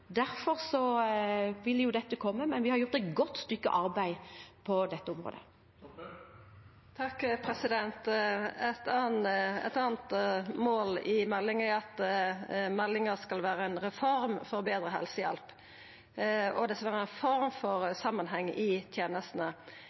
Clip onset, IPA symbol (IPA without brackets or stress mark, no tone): d̪